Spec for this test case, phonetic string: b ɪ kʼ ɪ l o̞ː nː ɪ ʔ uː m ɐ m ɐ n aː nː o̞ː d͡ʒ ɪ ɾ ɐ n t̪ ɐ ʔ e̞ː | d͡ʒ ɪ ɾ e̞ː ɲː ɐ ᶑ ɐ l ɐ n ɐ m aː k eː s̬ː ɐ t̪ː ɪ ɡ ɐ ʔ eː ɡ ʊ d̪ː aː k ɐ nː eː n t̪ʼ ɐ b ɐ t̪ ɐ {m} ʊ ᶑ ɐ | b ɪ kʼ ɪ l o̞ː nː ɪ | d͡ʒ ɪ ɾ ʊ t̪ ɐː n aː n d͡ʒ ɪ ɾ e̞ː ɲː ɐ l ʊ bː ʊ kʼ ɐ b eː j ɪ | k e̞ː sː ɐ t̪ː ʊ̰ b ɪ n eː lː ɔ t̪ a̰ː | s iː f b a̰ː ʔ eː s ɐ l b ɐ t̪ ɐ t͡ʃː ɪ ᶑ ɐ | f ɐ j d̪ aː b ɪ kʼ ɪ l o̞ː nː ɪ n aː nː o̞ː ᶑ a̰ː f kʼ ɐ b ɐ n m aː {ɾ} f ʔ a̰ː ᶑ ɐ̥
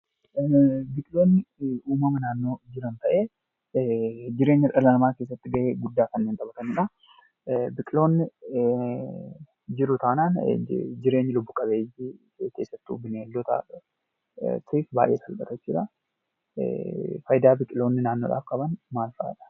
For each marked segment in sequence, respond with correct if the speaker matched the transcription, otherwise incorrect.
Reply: incorrect, incorrect

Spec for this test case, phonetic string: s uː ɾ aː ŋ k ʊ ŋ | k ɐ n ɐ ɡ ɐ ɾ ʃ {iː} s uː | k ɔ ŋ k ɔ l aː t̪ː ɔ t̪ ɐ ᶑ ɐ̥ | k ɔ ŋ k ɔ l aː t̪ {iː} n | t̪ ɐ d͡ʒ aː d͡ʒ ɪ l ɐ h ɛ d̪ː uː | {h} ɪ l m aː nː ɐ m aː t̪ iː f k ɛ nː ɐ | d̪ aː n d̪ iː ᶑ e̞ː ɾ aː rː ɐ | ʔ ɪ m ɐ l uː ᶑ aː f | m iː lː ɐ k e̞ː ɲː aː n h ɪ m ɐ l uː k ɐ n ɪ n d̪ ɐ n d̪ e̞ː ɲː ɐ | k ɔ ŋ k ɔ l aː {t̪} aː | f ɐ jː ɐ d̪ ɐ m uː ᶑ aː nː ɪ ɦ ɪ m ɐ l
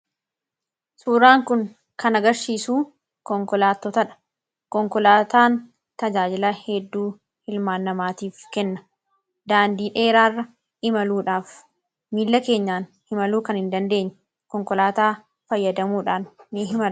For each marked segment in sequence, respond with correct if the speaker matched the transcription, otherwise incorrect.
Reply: correct, incorrect, correct, correct

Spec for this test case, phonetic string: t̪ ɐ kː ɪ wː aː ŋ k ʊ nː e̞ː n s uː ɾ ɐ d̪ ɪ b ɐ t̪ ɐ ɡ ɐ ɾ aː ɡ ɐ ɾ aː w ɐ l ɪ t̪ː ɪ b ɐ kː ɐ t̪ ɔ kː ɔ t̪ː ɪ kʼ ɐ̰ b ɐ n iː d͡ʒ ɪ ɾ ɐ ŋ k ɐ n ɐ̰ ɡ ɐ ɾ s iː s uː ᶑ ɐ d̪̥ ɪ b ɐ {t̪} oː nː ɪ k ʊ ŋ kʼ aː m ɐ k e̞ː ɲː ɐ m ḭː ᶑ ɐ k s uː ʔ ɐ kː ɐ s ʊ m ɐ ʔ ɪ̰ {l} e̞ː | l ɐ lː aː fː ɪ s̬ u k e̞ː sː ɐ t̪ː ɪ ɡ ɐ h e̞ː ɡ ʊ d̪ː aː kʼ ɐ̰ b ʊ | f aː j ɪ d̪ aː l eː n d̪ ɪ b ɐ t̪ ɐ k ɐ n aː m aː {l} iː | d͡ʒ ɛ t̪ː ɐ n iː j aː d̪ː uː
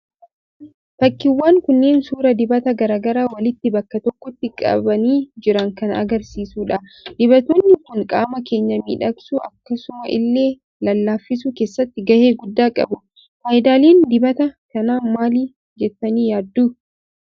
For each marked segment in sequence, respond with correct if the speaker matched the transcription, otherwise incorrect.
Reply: correct, incorrect, correct

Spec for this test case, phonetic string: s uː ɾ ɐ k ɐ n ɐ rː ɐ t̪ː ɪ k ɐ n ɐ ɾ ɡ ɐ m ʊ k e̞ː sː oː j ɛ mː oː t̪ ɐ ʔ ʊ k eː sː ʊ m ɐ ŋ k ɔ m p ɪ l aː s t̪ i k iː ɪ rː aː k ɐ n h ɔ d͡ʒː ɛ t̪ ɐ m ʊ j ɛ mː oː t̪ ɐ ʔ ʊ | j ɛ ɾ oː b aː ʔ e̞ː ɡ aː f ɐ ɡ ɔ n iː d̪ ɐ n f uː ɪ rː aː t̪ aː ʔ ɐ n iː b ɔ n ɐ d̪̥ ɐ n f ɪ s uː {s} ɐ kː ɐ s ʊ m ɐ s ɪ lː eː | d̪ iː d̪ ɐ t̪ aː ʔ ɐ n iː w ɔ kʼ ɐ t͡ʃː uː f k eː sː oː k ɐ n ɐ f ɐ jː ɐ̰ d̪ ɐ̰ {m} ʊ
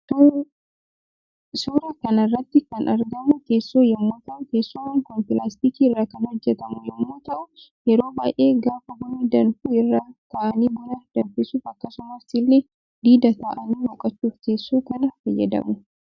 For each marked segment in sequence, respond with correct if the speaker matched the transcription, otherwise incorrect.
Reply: incorrect, correct

